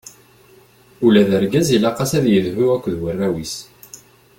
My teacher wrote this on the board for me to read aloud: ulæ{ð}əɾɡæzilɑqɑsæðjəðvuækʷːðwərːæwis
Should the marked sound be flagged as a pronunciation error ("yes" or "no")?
no